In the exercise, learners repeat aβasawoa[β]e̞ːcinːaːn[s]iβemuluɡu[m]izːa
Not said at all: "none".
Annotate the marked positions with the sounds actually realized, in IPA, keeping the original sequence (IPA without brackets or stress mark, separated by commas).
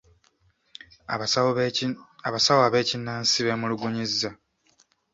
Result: β, s, ɲ